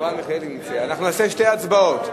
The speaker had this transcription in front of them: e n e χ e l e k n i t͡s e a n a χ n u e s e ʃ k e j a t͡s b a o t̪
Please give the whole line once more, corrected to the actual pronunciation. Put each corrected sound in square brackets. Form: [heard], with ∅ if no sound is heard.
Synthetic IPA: [a] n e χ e l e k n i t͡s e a n a χ n u [a] s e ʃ [t] e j a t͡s b a o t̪